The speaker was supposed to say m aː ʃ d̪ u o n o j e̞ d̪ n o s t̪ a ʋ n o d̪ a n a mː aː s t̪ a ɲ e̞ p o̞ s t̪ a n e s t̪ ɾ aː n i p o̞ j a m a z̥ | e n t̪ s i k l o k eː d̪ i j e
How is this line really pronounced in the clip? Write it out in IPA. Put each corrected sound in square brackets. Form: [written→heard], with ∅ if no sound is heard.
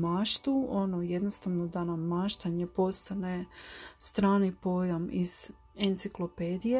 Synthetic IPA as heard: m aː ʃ [d̪→t̪] u o n o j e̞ d̪ n o s t̪ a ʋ n o d̪ a n a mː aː [s→ʃ] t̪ a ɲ e̞ p o̞ s t̪ a n e s t̪ ɾ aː n i p o̞ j a m [a→i] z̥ | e n t̪ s i k l o [k→p] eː d̪ i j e